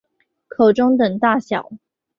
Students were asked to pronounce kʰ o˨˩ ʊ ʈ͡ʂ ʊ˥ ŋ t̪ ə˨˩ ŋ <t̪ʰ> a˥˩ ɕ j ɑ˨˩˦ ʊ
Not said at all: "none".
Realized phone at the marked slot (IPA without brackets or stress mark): t̪